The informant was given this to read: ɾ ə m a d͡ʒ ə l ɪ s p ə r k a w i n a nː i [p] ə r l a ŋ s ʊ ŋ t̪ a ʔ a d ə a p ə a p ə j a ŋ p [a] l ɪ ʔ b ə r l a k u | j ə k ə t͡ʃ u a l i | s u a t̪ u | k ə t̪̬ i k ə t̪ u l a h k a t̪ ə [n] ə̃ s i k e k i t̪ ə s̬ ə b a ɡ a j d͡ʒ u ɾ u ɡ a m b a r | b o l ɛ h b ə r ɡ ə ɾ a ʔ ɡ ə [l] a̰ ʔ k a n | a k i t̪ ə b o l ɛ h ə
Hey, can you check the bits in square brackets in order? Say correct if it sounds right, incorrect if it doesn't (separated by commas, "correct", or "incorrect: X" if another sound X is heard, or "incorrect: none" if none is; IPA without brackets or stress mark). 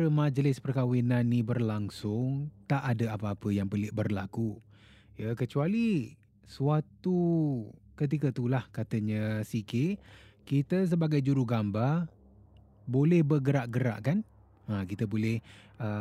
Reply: incorrect: b, incorrect: ə, incorrect: ɲ, incorrect: ɾ